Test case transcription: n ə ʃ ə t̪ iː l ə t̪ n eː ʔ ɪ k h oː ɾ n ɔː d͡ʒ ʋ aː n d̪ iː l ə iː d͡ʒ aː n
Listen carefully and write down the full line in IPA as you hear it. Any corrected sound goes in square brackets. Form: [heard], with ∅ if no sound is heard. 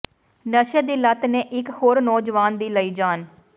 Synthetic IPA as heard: n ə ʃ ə [d̪] iː l ə t̪ n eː ʔ ɪ k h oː ɾ n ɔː d͡ʒ ʋ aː n d̪ iː l ə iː d͡ʒ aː n